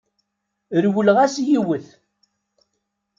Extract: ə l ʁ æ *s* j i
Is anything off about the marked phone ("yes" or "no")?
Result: no